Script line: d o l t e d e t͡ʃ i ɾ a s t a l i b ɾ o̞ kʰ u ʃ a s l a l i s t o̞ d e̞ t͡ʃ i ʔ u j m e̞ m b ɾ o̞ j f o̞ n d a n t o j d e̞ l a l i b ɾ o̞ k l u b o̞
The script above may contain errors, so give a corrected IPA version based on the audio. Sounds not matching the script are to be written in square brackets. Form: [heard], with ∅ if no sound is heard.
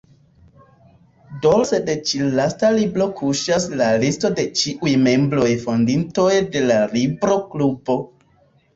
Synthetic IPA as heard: d o l [s] e d e t͡ʃ i [l] a s t a l i b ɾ o̞ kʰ u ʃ a s l a l i s t o̞ d e̞ t͡ʃ i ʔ u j m e̞ m b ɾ o̞ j f o̞ n d [i] n t o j d e̞ l a l i b ɾ o̞ k l u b o̞